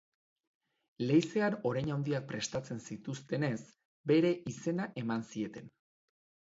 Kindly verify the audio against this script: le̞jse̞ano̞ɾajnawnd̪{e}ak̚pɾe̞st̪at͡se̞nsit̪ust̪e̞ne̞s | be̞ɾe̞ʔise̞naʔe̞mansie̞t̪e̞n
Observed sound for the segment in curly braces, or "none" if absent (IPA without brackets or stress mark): i